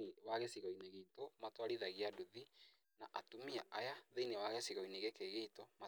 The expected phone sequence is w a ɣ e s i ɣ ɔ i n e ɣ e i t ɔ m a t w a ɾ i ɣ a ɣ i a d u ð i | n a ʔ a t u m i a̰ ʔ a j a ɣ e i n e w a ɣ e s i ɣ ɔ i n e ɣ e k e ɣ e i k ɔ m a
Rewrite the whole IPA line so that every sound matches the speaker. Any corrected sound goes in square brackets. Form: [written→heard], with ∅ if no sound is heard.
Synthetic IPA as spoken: w a ɣ e s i ɣ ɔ i n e ɣ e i t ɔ m a t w a ɾ i [ɣ→ð] a ɣ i a d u ð i | n a ʔ a t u m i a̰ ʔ a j a [ɣ→ð] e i n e w a ɣ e s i ɣ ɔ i n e ɣ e k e ɣ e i [k→t] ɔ m a

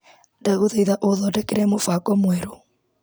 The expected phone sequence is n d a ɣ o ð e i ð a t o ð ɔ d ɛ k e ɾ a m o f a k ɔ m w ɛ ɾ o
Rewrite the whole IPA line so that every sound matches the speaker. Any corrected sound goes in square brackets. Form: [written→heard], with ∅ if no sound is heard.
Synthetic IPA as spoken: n d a ɣ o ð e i ð a [t→ʔ] o ð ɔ d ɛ k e ɾ [a→ɛ] m o f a k ɔ m w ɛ ɾ o

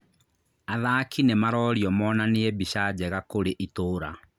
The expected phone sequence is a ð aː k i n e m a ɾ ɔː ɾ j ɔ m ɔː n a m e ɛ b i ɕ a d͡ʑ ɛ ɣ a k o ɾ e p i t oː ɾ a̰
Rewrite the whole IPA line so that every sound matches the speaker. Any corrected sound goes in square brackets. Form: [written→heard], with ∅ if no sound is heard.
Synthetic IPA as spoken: a ð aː k i n e m a ɾ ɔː ɾ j ɔ m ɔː n a [m→n] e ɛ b i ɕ a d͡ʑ ɛ ɣ a k o ɾ e [p→ʔ] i t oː ɾ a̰

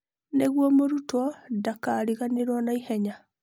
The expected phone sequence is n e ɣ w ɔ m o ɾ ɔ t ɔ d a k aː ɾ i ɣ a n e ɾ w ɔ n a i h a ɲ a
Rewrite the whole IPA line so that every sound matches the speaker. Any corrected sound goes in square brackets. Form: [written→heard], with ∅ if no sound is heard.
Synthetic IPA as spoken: n e ɣ w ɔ m o ɾ [ɔ→u] t ɔ d a k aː ɾ i ɣ a n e ɾ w ɔ n a i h [a→ɛ] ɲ a

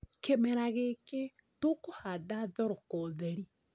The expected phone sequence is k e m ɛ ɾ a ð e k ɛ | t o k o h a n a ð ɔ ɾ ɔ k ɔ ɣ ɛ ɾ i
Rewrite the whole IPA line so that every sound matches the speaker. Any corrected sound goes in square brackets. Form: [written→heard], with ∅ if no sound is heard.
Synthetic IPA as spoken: k e m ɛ ɾ a [ð→ɣ] e k [ɛ→e] | t o k o h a [n→d] a ð ɔ ɾ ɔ k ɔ [ɣ→ð] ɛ ɾ i

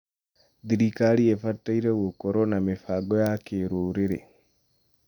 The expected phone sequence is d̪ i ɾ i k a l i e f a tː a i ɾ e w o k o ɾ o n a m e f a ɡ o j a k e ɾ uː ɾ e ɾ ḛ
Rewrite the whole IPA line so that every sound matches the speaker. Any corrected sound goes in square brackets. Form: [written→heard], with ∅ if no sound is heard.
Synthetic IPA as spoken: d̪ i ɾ i k a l i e f a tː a i ɾ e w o k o ɾ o n a m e f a ɡ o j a k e ɾ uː ɾ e ɾ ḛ

